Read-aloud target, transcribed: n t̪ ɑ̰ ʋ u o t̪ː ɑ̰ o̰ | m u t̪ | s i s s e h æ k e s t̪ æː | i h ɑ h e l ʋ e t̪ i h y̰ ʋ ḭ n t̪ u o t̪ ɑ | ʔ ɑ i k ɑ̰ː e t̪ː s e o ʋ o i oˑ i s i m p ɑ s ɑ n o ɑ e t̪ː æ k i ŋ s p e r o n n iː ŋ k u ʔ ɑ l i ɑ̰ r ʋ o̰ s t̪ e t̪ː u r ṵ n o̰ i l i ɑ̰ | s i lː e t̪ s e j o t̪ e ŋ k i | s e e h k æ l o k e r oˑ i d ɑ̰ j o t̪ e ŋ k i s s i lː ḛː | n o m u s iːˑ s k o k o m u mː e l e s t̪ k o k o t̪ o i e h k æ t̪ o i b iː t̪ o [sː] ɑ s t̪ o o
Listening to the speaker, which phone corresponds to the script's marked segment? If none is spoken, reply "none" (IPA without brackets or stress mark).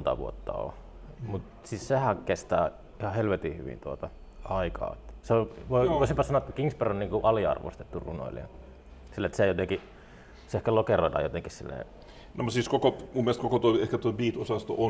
s